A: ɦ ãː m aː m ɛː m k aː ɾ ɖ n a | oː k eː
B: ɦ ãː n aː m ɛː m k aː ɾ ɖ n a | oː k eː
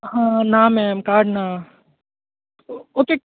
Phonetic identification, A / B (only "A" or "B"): B